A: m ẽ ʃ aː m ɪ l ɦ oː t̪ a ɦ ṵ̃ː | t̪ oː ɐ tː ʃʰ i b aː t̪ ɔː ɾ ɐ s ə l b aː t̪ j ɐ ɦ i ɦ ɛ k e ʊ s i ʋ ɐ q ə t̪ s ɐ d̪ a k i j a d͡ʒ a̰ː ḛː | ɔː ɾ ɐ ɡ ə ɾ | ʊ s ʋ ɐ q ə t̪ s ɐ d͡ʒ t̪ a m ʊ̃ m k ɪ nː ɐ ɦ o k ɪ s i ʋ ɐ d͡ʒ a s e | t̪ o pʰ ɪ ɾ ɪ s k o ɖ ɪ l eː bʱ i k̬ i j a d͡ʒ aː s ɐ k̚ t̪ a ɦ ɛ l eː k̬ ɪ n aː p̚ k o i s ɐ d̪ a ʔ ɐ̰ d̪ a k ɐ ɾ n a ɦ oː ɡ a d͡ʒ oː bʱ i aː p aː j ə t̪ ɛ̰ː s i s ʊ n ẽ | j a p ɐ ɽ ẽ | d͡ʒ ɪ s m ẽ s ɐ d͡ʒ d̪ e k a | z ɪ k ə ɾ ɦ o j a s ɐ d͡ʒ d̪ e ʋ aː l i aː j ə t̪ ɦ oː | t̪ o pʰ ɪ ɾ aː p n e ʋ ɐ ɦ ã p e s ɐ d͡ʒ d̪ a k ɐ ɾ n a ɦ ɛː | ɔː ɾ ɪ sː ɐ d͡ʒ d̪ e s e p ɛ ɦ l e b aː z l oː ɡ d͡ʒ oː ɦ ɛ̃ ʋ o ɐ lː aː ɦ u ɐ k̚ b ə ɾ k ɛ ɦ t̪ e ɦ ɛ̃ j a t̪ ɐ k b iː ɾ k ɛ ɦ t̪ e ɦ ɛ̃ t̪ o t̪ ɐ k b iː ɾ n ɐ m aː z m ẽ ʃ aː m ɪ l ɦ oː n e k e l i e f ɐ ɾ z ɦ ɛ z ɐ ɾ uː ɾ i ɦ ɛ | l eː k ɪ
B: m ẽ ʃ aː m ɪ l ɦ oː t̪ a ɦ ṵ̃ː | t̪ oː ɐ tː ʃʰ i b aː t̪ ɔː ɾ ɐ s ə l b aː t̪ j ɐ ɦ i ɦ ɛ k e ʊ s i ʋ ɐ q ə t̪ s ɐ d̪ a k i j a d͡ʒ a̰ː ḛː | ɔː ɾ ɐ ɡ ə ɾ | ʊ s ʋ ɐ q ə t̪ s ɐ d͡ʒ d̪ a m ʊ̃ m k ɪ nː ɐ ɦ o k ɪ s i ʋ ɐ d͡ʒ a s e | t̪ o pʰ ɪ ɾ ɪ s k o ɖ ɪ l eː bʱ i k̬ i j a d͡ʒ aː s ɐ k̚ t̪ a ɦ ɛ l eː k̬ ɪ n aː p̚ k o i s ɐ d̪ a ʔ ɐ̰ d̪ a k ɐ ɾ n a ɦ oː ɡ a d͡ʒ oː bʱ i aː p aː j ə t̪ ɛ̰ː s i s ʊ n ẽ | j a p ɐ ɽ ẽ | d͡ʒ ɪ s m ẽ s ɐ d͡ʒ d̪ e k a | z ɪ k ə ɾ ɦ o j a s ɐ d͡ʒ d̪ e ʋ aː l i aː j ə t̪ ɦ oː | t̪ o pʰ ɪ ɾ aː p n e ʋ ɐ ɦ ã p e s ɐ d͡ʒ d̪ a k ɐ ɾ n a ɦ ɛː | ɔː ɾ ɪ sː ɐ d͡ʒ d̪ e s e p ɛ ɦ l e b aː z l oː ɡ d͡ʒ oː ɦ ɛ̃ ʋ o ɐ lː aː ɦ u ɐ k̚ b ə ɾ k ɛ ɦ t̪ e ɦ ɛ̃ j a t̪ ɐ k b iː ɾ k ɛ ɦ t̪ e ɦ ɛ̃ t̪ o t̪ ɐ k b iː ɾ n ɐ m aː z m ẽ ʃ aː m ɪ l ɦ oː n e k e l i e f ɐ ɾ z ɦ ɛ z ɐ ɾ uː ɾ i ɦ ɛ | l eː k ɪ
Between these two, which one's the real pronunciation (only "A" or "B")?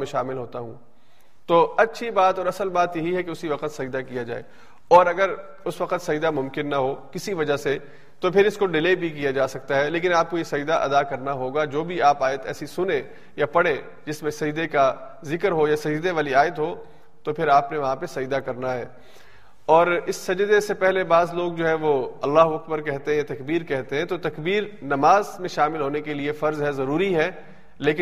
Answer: B